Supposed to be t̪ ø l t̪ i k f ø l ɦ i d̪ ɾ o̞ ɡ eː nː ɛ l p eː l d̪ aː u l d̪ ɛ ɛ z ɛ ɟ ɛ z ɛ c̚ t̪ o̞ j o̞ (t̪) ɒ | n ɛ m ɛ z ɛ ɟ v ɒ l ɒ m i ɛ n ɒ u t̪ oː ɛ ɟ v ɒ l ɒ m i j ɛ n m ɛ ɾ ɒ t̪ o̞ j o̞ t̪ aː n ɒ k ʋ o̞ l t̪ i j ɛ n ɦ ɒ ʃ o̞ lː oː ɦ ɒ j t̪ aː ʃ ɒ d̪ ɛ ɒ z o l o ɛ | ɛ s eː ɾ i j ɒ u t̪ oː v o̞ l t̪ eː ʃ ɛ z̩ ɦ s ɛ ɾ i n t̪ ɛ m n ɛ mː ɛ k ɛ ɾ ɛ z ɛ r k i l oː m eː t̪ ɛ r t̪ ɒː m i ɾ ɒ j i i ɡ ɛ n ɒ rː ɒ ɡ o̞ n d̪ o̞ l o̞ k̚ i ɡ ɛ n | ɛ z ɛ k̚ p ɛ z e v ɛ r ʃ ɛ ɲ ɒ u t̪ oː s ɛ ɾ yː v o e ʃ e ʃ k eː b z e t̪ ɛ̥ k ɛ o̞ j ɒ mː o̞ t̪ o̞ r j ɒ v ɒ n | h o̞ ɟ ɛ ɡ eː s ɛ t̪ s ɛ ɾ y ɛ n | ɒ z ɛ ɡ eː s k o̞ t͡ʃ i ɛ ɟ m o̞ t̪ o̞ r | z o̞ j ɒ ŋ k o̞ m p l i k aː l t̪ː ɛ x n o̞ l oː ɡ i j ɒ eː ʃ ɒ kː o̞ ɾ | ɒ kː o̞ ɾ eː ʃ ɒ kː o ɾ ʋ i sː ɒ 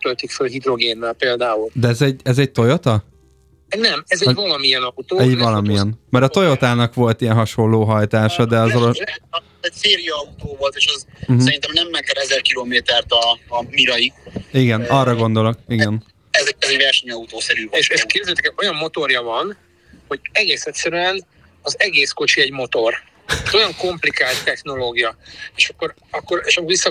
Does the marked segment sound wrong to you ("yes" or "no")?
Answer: no